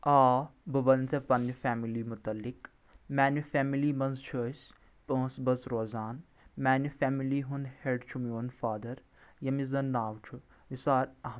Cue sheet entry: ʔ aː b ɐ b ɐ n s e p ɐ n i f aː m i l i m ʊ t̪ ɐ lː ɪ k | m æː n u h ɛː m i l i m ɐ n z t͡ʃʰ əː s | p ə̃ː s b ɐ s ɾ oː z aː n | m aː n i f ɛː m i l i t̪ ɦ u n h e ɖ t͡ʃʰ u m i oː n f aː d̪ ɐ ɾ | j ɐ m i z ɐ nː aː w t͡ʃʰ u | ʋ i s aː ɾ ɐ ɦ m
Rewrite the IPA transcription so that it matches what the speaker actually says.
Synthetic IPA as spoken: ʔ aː b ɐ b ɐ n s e p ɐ n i f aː m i l i m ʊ t̪ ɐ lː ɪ k | m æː n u f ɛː m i l i m ɐ n z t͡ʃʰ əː s | p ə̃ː s b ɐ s ɾ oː z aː n | m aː n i f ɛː m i l i ɦ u n h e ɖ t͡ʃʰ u m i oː n f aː d̪ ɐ ɾ | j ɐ m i z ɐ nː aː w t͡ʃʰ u | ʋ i s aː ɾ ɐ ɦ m